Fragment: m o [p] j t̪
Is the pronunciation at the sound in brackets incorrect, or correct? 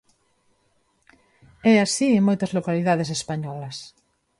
incorrect